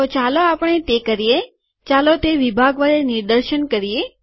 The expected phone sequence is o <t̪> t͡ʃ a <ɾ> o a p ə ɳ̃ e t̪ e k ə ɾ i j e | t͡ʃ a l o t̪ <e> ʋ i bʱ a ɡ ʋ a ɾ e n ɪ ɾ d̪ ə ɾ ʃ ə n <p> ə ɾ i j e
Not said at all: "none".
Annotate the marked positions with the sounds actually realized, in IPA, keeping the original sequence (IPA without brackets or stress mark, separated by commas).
none, l, e, k